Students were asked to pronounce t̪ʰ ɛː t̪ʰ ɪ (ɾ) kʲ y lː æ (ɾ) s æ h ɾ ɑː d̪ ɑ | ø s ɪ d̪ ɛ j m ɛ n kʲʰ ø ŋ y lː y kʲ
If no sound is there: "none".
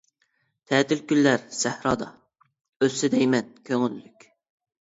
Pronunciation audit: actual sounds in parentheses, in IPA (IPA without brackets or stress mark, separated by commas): l, ɾ